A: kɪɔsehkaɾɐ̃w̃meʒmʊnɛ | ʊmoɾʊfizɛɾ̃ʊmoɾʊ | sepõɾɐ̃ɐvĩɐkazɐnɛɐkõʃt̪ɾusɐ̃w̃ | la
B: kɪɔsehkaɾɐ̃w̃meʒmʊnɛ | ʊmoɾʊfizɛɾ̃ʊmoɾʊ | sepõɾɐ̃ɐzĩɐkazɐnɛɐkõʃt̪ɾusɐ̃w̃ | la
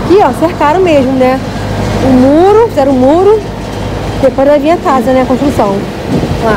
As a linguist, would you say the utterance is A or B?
A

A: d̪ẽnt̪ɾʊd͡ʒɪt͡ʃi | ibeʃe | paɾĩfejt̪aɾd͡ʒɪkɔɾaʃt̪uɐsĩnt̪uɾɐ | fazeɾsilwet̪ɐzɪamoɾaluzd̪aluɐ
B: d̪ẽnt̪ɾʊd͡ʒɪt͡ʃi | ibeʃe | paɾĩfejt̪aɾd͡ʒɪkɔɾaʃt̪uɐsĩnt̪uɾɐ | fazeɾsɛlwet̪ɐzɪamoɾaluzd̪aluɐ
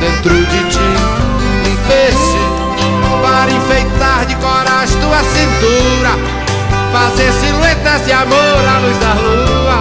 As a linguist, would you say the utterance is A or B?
A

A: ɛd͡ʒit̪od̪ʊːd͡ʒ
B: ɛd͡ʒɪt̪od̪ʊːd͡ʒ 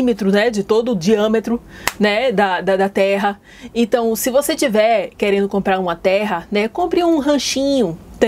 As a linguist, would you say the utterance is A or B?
B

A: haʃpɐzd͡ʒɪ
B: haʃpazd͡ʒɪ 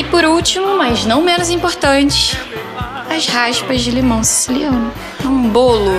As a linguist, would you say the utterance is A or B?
A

